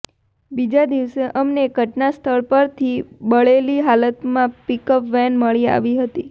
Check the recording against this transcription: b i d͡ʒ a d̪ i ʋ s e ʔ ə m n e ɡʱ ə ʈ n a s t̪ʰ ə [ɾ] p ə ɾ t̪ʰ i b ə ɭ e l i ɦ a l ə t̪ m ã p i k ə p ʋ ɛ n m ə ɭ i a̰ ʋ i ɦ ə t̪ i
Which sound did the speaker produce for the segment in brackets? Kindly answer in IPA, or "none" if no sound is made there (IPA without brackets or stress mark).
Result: ɭ